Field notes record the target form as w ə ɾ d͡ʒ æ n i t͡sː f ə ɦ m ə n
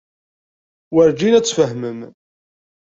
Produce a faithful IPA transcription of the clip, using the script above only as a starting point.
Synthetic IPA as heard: w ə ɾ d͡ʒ i n æ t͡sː f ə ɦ m ə m